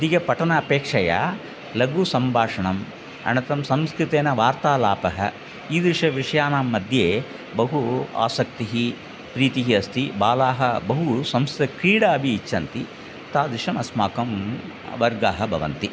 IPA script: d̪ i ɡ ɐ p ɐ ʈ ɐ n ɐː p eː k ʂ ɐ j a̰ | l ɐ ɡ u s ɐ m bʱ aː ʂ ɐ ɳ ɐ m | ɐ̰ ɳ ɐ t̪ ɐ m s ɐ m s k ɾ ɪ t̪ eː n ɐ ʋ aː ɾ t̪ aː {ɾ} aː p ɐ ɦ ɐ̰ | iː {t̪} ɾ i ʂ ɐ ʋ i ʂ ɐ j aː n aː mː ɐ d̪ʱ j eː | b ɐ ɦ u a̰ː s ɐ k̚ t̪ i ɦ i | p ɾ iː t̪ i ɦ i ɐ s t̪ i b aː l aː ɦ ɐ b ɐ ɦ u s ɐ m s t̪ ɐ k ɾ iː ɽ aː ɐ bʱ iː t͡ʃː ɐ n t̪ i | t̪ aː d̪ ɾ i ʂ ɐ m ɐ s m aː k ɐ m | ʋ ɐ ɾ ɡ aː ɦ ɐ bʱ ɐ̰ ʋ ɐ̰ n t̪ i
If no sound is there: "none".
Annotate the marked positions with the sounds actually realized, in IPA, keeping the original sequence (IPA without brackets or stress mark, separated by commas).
l, d̪